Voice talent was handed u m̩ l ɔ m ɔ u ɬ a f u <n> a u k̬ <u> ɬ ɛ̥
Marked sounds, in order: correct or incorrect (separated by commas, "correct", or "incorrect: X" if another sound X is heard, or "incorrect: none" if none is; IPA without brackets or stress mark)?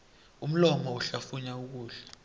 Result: incorrect: ɲ, incorrect: uː